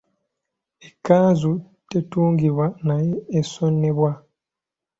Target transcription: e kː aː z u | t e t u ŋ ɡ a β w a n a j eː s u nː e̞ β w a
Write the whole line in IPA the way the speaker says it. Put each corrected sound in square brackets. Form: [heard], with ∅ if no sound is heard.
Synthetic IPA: e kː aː z u | t e t [uː] ŋ ɡ [i] β w a n a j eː s [o] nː e̞ β w a